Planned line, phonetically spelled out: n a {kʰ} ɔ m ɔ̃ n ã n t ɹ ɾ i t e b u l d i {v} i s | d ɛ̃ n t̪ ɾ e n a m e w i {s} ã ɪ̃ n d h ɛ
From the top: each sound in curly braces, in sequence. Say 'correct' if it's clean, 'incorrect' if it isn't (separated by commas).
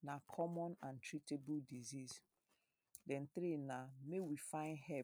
correct, incorrect, incorrect